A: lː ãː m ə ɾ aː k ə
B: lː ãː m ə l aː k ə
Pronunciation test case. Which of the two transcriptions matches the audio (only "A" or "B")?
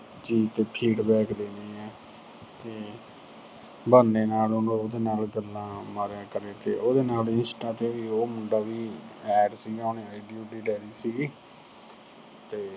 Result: A